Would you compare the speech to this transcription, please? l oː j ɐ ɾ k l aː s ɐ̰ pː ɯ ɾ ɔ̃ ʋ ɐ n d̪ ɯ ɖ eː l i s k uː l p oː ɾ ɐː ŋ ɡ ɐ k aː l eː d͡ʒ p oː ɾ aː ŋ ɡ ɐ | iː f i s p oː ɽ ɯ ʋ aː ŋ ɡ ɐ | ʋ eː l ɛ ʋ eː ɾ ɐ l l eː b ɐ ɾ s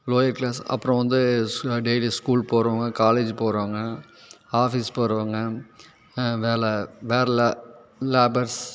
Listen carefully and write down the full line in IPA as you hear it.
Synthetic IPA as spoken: l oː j ɐ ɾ k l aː s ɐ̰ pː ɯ ɾ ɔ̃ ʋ ɐ n d̪ ɯ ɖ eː l i s k uː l p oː ɾ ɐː ŋ ɡ ɐ k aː l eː d͡ʒ p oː ɾ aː ŋ ɡ ɐ | aː f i s p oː ɾ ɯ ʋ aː ŋ ɡ ɐ | ʋ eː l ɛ ʋ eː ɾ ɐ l l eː b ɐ ɾ s

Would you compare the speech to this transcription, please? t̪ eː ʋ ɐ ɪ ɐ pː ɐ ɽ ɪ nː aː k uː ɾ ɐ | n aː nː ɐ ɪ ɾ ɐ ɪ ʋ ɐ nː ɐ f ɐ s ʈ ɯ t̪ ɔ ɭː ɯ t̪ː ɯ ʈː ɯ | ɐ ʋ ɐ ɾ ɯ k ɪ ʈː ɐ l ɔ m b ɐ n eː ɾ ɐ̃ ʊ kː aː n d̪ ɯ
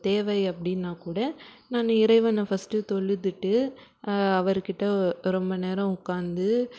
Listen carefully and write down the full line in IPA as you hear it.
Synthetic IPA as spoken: t̪ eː ʋ ɐ ɪ ɐ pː ɐ ɽ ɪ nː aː k uː ɽ ɐ | n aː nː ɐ ɪ ɾ ɐ ɪ ʋ ɐ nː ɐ f ɐ s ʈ ɯ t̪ ɔ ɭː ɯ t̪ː ɯ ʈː ɯ | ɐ ʋ ɐ ɾ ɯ k ɪ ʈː ɐ ɾ ɔ m b ɐ n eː ɾ ɐ̃ ʊ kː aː n d̪ ɯ

